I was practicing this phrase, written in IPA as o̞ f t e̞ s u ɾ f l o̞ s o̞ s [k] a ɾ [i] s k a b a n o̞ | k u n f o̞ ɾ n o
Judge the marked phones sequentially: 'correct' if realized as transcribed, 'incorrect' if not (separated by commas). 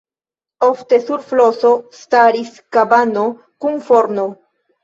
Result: incorrect, correct